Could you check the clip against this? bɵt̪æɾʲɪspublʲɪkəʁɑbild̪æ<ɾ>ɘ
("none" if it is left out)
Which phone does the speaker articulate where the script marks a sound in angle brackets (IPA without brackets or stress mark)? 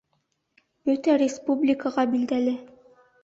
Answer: l